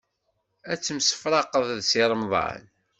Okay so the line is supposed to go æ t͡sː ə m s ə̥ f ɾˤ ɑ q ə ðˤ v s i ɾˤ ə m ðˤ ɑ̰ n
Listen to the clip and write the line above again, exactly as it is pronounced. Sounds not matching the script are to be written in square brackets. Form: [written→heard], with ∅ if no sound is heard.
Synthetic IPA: æ t͡sː ə m s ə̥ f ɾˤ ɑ q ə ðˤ [v→ð] s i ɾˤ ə m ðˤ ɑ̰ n